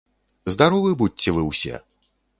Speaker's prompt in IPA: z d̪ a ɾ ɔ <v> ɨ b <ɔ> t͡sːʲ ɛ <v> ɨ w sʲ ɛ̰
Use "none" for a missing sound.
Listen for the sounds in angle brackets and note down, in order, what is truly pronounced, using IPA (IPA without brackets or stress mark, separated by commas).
v, u, v